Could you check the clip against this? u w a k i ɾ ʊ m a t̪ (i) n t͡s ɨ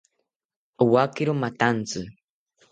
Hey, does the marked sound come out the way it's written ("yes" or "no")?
no